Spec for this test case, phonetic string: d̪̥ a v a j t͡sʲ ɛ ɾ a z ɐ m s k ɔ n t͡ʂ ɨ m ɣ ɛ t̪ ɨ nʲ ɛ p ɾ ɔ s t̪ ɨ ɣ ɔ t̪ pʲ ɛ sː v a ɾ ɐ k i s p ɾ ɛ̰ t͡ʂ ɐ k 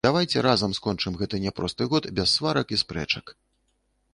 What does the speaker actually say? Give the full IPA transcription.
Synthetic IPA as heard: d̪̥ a v a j t͡sʲ ɛ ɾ a z ɐ m s k ɔ n t͡ʂ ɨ m ɣ ɛ t̪ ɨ nʲ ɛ p ɾ ɔ s t̪ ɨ ɣ ɔ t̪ bʲ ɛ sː v a ɾ ɐ k i s p ɾ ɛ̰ t͡ʂ ɐ k